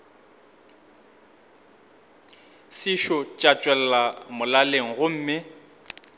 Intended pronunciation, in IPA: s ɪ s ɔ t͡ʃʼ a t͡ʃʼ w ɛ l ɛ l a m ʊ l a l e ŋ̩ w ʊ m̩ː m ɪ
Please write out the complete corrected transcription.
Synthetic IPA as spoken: s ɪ ʃ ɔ t͡ʃʼ a t͡ʃʼ w ɛ l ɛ l a m ʊ l a l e ŋ̩ ɣ ʊ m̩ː m ɪ